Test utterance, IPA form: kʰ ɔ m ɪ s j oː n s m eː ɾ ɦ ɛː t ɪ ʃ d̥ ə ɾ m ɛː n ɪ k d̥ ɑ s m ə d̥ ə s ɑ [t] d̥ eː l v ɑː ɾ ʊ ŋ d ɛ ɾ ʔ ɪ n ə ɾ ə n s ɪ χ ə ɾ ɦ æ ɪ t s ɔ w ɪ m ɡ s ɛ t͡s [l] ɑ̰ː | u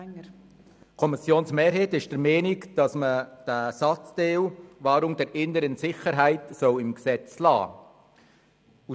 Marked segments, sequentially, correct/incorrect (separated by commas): incorrect, correct